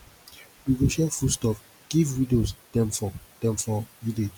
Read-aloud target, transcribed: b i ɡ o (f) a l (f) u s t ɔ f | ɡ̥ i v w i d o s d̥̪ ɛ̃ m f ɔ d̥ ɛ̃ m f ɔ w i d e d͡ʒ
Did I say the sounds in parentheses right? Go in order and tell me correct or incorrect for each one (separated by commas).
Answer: incorrect, correct